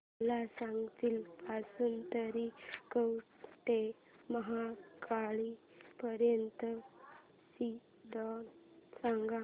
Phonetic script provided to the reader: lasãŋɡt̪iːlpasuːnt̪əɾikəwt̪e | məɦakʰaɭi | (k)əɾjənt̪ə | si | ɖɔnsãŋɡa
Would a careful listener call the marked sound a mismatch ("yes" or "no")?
yes